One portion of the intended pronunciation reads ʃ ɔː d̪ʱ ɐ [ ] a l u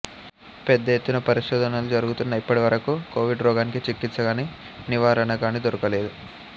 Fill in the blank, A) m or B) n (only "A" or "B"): B